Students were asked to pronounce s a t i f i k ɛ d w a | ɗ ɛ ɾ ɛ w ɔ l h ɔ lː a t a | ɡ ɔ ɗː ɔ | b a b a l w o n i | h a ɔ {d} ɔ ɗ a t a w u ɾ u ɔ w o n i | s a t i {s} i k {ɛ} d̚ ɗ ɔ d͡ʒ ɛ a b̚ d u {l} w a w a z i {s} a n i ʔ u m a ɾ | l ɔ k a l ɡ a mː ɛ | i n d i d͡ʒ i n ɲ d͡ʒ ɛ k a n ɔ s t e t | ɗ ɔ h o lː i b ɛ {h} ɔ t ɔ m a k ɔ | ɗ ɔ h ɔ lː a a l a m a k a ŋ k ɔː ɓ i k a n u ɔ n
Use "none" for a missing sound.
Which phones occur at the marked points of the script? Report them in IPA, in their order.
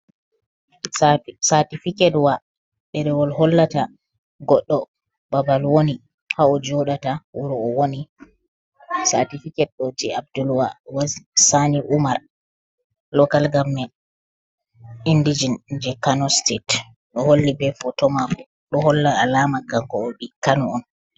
d͡ʒ, f, ɛ, l, s, f

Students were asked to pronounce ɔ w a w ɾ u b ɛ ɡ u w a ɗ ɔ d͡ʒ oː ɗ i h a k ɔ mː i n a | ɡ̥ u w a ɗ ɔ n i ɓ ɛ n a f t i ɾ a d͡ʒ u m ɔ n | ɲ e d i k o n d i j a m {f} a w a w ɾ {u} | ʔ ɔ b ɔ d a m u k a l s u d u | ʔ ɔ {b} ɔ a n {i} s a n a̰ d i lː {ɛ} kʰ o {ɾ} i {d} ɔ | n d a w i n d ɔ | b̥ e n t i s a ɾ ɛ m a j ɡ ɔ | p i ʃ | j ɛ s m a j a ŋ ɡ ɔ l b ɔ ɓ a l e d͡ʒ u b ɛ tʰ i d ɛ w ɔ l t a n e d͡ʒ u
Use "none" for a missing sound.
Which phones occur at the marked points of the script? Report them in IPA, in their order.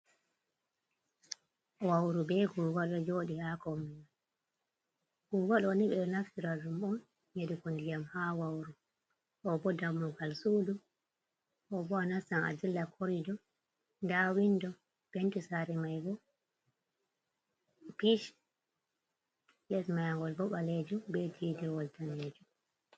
h, u, b, a, a, ɾ, d

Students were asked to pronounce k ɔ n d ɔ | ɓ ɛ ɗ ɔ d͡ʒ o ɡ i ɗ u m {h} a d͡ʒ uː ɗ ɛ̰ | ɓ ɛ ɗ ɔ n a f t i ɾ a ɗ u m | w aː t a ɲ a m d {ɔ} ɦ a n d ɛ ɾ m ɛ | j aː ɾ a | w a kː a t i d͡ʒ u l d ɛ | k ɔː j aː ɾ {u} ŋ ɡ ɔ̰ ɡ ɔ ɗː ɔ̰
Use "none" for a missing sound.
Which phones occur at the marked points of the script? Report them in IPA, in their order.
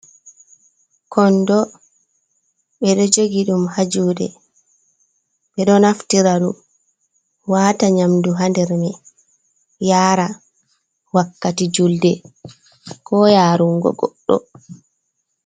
h, u, u

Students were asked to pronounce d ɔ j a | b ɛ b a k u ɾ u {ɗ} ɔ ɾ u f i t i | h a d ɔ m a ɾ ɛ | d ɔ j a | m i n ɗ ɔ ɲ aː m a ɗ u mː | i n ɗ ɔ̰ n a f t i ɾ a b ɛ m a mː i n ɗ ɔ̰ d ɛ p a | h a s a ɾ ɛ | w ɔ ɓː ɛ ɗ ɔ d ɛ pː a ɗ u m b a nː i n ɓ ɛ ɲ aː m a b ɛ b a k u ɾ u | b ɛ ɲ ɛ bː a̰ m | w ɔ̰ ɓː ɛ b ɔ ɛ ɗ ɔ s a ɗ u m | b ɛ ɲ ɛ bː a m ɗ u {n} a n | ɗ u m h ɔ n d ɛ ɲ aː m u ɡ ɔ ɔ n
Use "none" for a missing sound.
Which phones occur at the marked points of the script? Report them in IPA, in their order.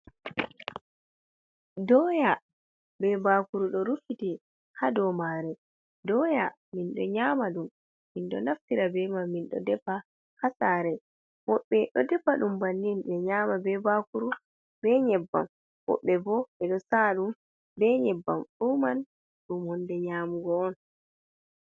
ɗ, m

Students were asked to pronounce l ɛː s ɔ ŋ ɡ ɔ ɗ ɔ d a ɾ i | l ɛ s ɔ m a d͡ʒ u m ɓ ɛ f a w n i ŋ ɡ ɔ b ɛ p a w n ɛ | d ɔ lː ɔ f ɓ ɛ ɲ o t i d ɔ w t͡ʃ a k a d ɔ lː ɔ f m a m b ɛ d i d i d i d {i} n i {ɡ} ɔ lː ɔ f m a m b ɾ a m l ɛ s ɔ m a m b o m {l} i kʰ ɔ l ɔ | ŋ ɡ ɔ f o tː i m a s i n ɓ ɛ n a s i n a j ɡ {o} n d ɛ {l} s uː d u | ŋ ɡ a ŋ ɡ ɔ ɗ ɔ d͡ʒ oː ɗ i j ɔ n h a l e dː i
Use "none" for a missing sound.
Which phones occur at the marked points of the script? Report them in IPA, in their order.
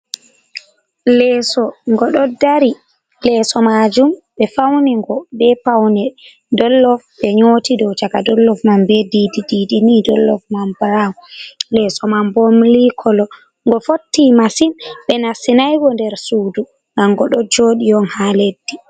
i, d, l, ɔ, ɾ

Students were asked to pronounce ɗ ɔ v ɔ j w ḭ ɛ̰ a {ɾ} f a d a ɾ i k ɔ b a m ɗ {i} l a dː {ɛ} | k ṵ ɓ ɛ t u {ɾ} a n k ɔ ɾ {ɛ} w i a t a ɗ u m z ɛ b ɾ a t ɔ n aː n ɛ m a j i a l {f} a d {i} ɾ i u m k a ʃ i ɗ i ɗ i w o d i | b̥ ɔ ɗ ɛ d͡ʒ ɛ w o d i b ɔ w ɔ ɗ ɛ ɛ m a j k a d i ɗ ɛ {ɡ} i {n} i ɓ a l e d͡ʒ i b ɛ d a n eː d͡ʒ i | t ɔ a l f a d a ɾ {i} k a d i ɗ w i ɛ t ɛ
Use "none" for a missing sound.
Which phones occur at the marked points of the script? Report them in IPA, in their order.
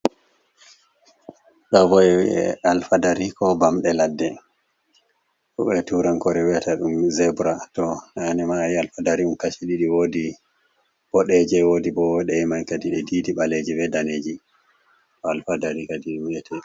l, ɛ, ɛ, ɾ, ɛ, f, a, d, d, i

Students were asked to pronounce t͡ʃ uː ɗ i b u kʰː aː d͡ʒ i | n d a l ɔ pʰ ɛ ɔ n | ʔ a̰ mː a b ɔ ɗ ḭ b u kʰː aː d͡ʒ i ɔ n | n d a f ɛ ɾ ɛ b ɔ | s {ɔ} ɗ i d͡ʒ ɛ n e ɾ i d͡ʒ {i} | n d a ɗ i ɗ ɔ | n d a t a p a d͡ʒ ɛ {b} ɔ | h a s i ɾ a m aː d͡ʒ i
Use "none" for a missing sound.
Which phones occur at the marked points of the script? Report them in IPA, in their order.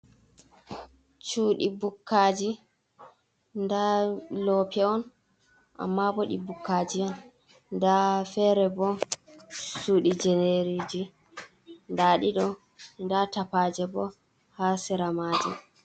u, i, b

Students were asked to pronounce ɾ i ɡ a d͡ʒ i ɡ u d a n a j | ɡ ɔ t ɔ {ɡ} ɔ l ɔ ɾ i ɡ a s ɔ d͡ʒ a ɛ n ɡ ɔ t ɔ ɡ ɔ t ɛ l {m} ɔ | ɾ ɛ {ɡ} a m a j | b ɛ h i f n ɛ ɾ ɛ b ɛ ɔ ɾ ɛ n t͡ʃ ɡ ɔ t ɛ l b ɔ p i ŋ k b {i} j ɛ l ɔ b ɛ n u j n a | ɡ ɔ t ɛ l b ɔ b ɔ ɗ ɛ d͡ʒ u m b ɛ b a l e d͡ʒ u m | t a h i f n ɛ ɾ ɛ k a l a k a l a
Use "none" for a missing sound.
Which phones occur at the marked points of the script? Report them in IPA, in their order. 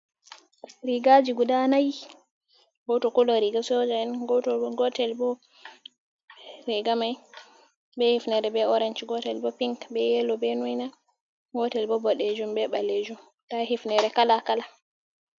k, b, ɡ, ɛ

